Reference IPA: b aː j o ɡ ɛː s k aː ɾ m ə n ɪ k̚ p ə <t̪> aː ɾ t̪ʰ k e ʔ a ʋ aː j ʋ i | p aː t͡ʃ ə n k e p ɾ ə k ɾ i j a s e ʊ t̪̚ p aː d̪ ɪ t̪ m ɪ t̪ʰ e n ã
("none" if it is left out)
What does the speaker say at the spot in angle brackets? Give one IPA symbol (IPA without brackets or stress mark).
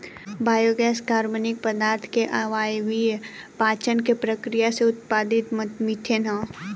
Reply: d̪